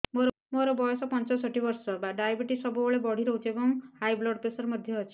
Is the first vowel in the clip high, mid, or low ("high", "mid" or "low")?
mid